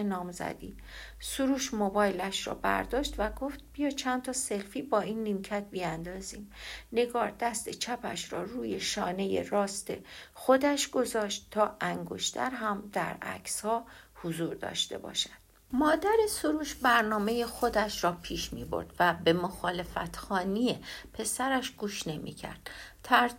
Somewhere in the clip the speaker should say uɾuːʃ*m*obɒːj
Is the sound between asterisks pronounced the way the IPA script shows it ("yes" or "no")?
yes